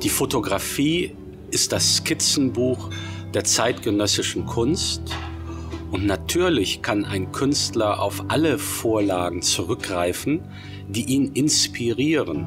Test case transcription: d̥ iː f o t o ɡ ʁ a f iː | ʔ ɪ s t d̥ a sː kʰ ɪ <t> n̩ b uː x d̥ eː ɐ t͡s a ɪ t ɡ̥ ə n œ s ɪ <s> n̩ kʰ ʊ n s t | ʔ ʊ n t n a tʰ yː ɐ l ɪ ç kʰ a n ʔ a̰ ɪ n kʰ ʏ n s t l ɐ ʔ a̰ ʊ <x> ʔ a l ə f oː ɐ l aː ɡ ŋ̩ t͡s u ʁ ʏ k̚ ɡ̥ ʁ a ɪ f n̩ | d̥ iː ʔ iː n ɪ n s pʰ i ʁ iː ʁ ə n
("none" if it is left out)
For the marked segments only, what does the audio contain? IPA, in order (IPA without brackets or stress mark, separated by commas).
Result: t͡s, ʃ, f